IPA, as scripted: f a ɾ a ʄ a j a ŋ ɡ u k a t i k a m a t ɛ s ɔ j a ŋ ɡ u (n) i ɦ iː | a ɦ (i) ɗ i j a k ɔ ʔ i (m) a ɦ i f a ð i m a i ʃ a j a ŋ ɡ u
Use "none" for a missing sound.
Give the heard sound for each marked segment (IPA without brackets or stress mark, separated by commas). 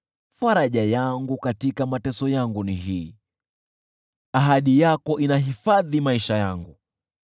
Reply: n, a, n